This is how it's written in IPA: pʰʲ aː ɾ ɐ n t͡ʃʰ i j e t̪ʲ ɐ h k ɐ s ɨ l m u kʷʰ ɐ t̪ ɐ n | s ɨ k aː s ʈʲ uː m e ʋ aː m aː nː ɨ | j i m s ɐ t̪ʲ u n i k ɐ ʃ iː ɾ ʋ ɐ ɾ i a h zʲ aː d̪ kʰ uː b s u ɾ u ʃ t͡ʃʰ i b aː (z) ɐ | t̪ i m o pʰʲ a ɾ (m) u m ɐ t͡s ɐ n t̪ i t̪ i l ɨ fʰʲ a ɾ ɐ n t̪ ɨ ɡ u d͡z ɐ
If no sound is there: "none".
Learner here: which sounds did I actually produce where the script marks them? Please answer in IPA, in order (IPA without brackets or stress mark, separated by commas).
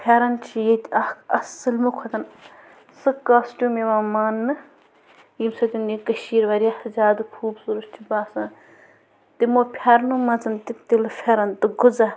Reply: s, n